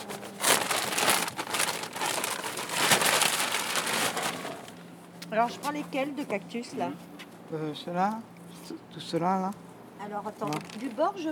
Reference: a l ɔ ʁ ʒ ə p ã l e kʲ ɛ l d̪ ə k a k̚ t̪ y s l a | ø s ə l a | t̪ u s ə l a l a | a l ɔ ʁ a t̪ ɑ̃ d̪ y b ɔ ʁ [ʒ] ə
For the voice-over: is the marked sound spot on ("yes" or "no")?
yes